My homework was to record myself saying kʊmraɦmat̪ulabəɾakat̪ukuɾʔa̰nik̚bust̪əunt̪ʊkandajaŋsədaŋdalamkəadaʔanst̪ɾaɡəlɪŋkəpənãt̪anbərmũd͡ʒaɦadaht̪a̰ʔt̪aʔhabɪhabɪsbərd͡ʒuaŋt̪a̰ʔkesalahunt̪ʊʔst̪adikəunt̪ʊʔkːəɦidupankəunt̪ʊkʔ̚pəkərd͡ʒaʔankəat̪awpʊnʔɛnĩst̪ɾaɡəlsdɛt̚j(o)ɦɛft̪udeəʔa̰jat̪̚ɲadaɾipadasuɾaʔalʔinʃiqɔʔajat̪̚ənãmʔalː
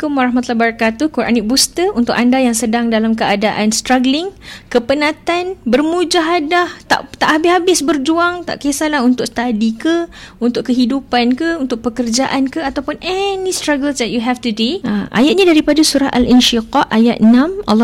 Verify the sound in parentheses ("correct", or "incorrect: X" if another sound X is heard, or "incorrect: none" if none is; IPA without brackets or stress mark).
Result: incorrect: u